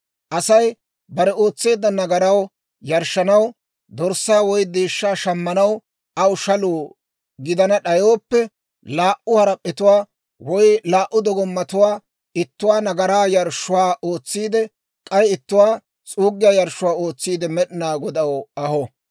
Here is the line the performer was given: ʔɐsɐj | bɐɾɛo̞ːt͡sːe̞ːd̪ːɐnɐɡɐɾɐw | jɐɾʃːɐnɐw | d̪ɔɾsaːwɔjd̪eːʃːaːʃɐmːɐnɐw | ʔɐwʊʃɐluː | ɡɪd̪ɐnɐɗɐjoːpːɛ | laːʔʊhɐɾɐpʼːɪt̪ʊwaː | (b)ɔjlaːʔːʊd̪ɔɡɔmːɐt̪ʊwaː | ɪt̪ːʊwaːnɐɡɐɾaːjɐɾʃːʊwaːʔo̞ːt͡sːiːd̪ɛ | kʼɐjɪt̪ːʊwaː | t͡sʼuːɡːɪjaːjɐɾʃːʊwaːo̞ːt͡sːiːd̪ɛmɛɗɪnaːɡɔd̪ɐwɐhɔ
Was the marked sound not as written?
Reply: yes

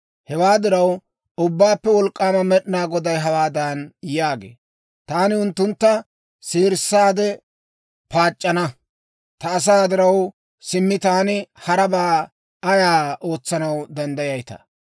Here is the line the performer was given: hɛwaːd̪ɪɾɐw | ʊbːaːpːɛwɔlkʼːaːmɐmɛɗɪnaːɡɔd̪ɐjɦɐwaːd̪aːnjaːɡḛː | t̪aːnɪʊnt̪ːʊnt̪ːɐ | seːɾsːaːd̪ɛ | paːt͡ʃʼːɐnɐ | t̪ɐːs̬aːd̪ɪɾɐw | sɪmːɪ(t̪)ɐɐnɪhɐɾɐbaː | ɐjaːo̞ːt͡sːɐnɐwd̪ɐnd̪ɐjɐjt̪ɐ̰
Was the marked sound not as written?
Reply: no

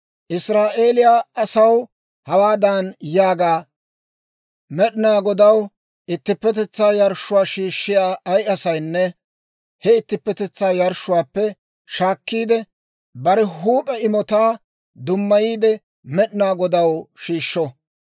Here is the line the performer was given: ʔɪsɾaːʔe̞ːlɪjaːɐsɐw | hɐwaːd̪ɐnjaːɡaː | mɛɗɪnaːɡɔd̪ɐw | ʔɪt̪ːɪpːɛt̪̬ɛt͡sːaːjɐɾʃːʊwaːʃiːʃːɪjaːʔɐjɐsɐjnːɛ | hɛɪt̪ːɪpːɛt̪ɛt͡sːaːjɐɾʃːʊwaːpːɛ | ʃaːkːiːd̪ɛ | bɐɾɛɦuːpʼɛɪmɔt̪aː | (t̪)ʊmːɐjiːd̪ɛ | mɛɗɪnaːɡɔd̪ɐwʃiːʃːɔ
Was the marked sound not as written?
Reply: yes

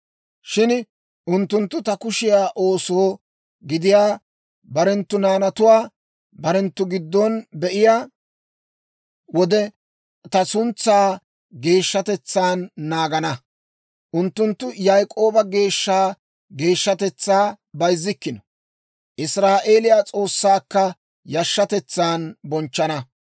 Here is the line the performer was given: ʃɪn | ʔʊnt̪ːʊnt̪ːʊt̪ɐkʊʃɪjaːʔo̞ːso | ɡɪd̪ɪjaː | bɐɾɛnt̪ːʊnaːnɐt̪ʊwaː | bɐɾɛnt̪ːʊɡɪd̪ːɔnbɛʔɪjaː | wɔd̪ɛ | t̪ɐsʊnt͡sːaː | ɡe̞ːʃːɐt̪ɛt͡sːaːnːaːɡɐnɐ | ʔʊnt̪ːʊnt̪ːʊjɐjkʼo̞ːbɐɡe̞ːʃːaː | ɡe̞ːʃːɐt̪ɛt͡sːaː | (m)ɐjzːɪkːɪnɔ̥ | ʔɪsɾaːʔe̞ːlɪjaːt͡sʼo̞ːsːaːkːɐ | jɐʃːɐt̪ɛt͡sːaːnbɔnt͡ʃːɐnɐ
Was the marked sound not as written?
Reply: yes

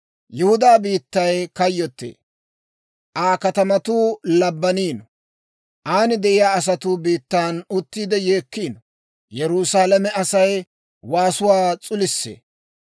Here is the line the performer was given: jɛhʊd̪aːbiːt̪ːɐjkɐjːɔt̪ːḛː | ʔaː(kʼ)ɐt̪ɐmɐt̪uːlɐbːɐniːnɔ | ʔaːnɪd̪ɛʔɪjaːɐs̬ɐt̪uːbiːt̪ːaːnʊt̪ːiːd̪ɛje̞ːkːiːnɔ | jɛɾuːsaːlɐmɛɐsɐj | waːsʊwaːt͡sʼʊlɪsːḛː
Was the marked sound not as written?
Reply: yes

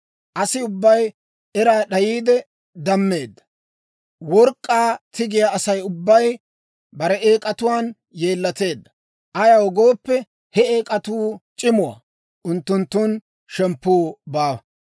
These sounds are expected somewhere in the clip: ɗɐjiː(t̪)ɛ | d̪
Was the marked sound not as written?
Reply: yes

